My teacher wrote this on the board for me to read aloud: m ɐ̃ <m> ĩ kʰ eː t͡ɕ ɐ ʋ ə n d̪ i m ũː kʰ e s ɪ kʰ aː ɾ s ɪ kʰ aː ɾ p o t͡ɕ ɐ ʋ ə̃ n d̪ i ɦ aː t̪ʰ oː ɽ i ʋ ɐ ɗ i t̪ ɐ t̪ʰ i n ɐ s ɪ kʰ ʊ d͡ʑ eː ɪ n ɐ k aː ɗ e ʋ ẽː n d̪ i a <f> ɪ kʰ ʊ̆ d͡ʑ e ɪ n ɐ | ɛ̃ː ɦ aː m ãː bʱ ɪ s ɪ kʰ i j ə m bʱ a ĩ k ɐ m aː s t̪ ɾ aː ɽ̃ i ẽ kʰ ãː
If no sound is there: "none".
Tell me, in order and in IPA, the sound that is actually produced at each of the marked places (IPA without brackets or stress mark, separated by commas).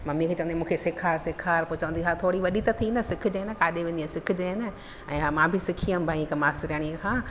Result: m, s